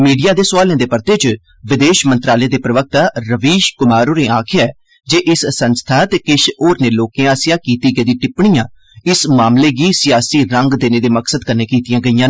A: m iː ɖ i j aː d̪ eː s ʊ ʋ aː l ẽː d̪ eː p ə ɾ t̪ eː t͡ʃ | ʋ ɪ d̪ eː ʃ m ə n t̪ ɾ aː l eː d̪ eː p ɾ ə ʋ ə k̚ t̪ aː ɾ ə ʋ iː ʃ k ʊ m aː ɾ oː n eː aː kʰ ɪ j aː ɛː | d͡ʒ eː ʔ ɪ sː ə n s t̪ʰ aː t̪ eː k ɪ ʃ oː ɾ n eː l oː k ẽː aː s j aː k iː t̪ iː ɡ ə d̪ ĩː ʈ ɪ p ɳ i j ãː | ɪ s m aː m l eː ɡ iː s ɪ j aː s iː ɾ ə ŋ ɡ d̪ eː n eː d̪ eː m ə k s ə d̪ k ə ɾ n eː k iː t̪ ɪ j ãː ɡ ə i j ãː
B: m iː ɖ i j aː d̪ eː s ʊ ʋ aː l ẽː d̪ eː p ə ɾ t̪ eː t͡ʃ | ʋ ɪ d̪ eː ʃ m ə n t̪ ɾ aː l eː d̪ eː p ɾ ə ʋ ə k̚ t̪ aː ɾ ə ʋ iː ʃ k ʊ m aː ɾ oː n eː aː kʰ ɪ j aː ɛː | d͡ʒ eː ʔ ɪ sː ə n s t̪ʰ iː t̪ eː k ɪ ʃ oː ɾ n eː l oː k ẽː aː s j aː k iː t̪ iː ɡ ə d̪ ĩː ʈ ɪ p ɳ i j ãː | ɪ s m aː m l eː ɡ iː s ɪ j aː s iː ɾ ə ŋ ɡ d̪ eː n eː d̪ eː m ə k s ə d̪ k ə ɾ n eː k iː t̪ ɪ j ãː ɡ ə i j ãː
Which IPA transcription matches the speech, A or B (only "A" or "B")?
A